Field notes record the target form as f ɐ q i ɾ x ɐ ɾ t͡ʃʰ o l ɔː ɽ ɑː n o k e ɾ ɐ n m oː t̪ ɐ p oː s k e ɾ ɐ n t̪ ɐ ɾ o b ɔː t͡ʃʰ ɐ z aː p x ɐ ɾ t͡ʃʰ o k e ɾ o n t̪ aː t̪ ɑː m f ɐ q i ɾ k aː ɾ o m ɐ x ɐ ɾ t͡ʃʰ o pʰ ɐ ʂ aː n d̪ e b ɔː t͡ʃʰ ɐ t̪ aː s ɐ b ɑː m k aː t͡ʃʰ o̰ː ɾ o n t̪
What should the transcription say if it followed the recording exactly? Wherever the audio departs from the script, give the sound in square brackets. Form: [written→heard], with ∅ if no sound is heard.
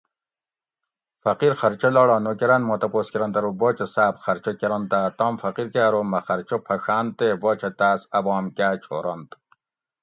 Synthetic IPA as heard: f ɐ q i ɾ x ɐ ɾ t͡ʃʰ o l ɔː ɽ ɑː n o k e ɾ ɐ n m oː t̪ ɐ p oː s k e ɾ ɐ n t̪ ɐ ɾ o b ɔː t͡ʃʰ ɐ [z→s] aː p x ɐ ɾ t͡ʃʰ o k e ɾ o n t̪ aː t̪ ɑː m f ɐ q i ɾ k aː ɾ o m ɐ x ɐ ɾ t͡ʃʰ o pʰ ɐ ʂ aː n [d̪→t̪] e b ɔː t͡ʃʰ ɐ t̪ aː s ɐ b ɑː m k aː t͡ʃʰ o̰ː ɾ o n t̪